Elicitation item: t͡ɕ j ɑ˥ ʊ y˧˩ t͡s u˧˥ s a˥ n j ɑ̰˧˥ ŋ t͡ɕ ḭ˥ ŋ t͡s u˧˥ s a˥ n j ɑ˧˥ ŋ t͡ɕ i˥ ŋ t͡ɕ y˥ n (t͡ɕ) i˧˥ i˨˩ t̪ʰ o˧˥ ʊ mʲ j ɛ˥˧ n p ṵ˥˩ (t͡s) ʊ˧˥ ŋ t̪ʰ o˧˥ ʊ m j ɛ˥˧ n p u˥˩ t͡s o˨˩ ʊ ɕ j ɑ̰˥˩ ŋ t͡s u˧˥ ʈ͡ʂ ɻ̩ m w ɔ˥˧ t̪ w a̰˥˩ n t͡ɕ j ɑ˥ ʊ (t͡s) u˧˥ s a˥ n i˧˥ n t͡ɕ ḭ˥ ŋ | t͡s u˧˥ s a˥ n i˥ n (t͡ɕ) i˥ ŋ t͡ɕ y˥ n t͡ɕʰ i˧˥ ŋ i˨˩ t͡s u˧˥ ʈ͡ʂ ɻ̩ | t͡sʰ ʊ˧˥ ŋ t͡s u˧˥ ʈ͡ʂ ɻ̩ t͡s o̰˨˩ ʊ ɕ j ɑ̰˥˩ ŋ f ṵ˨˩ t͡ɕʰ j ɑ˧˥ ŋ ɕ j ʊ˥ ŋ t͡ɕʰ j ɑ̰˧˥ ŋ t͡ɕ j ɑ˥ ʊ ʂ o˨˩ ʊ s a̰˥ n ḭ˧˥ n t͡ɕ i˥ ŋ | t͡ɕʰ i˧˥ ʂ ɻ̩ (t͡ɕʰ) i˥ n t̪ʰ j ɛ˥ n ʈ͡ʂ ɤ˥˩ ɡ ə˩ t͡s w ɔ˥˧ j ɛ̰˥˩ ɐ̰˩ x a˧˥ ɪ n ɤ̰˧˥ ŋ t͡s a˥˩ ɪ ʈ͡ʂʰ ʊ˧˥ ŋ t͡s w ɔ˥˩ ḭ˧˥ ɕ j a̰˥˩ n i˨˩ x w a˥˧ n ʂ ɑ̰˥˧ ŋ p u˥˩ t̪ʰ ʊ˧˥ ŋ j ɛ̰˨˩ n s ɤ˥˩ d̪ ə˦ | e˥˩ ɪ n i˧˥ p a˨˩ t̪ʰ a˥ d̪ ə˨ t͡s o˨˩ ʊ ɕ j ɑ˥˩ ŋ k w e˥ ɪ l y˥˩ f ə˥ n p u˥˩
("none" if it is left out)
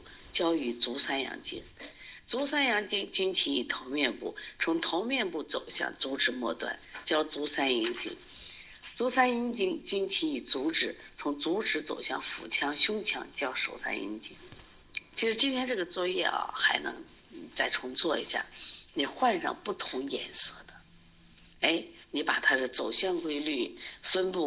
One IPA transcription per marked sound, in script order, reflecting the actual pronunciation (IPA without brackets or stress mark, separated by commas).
t͡ɕʰ, t͡sʰ, t͡s, t͡ɕ, t͡ɕ